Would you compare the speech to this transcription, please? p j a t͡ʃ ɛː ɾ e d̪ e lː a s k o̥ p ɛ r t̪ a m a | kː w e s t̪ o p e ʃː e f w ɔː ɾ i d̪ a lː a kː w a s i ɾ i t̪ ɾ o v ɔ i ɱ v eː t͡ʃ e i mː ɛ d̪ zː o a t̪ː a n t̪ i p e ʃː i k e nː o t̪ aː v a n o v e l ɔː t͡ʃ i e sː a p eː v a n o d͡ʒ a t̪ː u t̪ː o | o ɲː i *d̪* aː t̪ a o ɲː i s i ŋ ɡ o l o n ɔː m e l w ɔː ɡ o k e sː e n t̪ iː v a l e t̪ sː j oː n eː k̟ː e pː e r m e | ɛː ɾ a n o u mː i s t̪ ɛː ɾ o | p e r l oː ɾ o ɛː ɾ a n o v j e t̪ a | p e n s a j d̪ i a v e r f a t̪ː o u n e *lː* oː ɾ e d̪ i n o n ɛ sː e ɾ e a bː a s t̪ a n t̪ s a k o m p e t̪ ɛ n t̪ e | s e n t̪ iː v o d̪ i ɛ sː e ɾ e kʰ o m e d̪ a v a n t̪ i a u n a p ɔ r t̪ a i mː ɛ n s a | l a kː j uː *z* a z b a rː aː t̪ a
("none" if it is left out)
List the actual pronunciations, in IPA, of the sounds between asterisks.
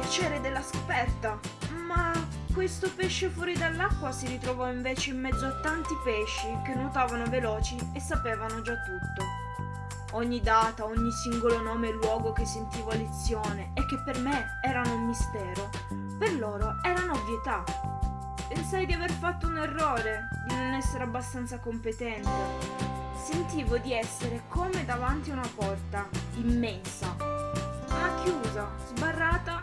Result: d̪, rː, z

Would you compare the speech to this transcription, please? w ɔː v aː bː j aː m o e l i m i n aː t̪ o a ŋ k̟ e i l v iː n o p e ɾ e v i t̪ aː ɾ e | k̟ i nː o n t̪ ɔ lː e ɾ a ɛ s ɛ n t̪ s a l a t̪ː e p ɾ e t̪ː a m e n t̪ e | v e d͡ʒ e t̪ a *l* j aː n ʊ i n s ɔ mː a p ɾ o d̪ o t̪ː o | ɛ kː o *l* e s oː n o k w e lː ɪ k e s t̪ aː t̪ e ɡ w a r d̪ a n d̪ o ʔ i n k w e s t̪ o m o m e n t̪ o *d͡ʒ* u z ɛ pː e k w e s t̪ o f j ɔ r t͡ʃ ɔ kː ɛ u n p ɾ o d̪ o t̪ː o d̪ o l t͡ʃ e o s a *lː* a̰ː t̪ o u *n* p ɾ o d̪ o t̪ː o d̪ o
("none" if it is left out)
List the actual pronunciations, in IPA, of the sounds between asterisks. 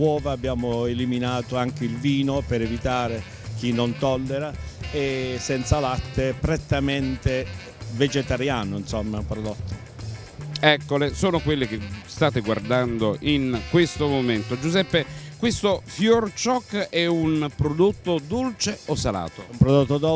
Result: ɾ, l, d͡ʒ, l, m

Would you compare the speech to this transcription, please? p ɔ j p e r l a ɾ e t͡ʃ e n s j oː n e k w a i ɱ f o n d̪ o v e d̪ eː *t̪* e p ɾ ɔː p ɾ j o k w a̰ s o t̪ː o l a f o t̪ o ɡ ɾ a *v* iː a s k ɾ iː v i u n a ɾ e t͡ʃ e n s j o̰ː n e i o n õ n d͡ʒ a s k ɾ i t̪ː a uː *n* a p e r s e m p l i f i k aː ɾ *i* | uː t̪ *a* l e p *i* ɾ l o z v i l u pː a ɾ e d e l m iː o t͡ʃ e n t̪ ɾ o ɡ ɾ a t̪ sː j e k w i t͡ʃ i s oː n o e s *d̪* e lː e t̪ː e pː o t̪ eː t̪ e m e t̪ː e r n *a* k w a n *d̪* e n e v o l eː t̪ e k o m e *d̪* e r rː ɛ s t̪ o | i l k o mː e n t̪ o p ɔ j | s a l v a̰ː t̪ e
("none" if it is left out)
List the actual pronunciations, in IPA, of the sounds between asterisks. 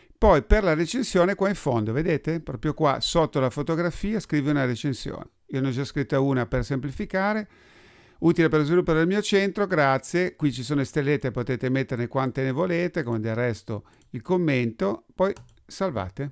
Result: t̪, f, n, e, i, e, t̪, e, t̪, d̪

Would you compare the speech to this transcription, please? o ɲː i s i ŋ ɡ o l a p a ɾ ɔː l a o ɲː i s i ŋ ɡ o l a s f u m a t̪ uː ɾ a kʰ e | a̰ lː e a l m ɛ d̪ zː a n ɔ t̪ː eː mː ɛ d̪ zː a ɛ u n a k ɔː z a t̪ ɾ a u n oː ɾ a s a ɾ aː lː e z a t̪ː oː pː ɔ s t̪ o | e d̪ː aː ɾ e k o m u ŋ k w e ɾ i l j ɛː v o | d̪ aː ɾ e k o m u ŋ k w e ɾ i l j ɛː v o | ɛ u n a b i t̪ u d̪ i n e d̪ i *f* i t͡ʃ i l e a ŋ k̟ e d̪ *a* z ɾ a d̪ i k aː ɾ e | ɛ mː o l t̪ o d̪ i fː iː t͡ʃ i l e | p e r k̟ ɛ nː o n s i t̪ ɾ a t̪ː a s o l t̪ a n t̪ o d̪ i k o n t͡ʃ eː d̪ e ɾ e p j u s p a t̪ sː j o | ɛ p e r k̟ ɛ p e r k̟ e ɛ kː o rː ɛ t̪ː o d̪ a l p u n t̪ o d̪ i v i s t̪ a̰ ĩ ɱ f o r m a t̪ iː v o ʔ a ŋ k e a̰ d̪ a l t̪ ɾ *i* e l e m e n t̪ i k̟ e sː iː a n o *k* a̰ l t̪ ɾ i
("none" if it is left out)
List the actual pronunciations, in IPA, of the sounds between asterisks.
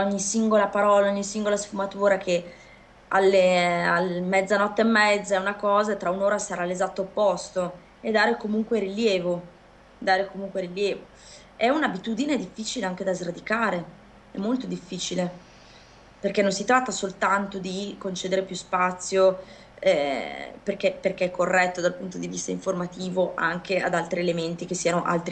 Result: fː, a, i, ʔ

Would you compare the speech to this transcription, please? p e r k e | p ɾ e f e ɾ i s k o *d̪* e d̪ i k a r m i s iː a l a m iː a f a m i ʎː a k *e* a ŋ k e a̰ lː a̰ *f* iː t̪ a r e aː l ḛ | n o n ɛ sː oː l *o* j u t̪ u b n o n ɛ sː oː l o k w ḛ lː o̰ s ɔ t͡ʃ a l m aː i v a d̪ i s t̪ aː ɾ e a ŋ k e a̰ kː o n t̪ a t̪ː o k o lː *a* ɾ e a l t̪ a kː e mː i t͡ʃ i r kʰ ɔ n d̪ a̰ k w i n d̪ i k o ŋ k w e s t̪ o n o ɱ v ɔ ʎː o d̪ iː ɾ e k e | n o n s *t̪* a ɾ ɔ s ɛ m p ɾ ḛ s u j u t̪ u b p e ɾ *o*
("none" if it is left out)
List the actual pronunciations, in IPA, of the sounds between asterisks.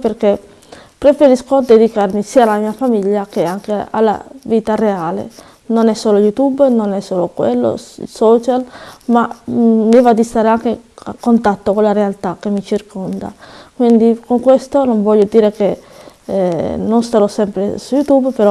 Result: d̪, e, v, o, a, t̪, ɔ

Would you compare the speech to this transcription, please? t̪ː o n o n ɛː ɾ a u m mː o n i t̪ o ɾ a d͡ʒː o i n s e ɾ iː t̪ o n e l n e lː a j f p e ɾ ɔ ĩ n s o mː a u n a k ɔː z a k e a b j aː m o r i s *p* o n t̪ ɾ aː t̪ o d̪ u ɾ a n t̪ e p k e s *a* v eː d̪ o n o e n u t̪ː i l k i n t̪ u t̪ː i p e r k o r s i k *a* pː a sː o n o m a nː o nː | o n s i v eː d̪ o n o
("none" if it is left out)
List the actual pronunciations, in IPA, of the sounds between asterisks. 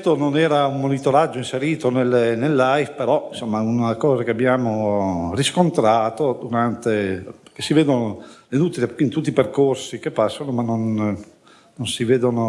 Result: k, i, e

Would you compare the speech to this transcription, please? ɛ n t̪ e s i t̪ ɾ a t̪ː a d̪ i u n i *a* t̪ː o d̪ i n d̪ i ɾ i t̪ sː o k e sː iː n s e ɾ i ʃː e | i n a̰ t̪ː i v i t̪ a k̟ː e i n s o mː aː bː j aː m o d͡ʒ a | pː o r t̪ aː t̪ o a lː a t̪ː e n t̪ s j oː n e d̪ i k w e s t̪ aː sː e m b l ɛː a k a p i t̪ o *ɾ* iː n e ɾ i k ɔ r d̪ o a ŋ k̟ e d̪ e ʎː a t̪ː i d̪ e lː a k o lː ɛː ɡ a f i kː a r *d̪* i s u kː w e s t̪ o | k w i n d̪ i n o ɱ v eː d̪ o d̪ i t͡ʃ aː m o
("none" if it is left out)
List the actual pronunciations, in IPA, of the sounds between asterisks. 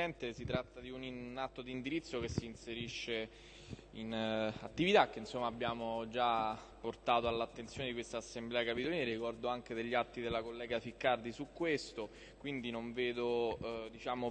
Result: a, l, d̪

